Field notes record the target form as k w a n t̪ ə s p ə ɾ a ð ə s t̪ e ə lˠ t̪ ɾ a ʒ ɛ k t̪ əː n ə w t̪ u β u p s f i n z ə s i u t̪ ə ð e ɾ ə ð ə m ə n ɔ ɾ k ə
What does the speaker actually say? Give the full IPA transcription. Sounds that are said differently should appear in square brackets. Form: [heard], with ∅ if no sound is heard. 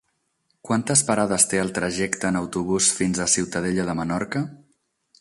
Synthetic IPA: k w a n t̪ ə s p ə ɾ a ð ə s t̪ e ə lˠ t̪ ɾ [ə] ʒ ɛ k t̪ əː n ə w t̪ u β u [∅] s f i n z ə s i [w] t̪ ə ð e [ʎ] ə ð ə m ə n ɔ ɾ k ə